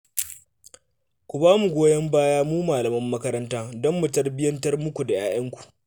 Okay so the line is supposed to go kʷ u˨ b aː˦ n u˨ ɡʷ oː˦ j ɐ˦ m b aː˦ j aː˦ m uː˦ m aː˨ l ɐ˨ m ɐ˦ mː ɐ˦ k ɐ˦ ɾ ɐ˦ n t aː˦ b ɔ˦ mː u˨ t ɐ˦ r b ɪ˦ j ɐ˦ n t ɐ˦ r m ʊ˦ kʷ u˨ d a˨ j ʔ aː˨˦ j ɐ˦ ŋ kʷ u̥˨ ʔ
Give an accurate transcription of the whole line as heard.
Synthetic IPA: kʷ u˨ b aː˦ m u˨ ɡʷ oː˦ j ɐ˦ m b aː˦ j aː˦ m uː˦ m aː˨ l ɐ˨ m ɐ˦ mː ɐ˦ k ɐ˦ ɾ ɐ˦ n t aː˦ d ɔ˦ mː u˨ t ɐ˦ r b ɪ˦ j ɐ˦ n t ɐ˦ r m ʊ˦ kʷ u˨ d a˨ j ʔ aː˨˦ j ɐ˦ ŋ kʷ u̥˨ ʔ